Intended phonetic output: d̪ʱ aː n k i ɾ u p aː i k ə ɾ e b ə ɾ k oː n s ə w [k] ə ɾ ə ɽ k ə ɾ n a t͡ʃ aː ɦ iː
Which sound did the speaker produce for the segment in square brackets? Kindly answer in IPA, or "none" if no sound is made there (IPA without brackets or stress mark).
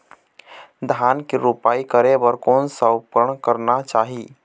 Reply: p